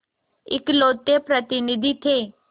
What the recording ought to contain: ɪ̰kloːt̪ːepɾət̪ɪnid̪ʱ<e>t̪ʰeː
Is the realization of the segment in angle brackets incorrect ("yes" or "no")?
yes